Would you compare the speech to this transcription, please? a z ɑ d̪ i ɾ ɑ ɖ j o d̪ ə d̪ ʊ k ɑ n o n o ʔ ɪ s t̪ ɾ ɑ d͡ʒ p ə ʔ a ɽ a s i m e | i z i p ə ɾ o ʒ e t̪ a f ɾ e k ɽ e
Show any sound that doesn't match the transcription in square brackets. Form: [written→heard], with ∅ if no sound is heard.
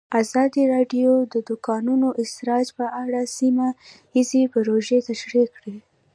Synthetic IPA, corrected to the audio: a z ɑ d̪ i ɾ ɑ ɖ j o d̪ ə d̪ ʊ k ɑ n [o→u] n o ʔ ɪ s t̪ ɾ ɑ d͡ʒ p ə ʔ a ɽ a s i m [e→a] | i z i p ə ɾ o ʒ e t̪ a [f→ʃ] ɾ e k ɽ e